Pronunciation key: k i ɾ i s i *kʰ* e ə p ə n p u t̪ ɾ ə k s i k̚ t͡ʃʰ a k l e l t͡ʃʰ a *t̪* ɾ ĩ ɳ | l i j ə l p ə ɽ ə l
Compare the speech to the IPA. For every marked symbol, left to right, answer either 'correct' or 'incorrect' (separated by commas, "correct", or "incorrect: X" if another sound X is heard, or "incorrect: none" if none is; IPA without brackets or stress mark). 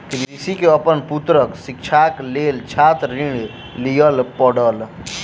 incorrect: k, correct